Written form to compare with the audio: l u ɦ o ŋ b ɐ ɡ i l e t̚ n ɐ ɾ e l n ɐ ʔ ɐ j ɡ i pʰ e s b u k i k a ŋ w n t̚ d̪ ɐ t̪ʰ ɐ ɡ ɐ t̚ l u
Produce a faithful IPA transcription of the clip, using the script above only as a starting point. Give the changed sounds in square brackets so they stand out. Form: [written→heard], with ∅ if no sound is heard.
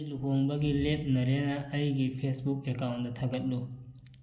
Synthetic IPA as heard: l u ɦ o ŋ b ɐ ɡ i l e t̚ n ɐ ɾ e [l→∅] n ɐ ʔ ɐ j ɡ i pʰ e s b u k [i→e] k a [ŋ→∅] w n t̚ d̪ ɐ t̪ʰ ɐ ɡ ɐ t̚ l u